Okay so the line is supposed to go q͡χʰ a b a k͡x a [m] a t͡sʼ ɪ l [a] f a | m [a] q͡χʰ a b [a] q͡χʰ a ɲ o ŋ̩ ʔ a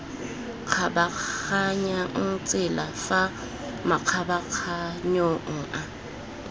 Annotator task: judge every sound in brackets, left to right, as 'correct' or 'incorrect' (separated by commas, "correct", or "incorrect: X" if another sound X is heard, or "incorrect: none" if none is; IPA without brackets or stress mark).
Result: incorrect: ɲ, correct, correct, correct